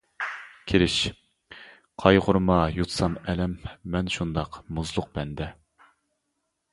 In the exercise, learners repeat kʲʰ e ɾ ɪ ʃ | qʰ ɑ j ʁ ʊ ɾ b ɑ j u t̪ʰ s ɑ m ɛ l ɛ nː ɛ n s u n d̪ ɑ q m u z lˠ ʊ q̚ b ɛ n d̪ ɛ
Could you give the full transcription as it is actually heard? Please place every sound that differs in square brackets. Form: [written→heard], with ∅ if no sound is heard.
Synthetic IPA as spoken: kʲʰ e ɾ ɪ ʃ | qʰ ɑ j ʁ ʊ ɾ [b→m] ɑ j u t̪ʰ s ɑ m ɛ l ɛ [nː→mː] ɛ n [s→ʃ] u n d̪ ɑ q m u z lˠ ʊ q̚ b ɛ n d̪ ɛ